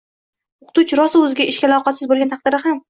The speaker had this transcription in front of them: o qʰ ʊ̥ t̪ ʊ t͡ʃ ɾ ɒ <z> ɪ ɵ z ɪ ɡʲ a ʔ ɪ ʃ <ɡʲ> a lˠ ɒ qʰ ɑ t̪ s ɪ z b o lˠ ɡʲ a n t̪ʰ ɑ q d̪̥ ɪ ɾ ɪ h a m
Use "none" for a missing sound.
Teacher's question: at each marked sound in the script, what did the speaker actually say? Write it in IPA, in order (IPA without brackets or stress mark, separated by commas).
s, kʲ